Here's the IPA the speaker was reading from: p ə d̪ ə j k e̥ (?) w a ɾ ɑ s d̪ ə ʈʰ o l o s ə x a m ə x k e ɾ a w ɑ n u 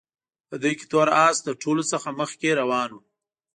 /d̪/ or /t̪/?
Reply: t̪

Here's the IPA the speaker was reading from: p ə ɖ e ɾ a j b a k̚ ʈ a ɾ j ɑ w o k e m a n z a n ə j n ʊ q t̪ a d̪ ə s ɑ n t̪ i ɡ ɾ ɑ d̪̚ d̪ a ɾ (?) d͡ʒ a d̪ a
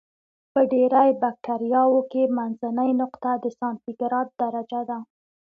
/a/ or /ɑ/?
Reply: a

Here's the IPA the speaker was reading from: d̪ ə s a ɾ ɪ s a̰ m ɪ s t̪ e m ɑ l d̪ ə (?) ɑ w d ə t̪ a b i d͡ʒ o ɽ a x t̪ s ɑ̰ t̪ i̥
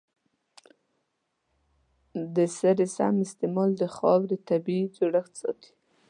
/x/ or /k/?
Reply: x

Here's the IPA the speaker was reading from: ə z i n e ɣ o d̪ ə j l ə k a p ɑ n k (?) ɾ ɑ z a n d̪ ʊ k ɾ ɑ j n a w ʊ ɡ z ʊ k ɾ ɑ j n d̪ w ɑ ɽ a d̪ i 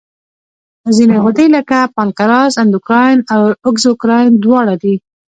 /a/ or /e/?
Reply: a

